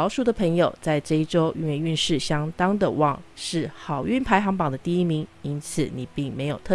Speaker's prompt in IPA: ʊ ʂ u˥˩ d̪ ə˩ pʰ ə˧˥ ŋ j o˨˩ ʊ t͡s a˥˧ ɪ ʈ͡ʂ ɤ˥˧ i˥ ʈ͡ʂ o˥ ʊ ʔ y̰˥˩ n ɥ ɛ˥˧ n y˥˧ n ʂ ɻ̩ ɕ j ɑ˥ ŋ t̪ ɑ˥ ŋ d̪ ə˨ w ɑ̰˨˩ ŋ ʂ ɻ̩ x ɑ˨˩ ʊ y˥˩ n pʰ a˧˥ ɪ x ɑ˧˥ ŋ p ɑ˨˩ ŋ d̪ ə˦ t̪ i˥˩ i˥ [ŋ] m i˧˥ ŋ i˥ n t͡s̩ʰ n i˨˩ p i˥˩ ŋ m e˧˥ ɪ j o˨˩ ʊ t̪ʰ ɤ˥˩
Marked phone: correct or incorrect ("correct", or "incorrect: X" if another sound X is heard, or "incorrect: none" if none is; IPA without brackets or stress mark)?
incorrect: none